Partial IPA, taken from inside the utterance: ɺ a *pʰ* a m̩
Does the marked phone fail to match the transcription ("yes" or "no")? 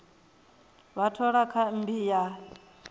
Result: yes